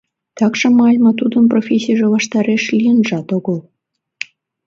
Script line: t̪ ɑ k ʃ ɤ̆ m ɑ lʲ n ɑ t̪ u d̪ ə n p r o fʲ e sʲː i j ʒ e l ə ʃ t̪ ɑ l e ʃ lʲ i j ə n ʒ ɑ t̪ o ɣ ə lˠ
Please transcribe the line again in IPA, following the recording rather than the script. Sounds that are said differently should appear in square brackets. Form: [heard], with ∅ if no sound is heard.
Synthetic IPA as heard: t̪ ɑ k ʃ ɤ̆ m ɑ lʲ [m] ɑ t̪ u d̪ ə n p r o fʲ e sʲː i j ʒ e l [ɑ] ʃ t̪ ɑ [ɾ] e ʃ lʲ i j ə n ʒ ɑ t̪ o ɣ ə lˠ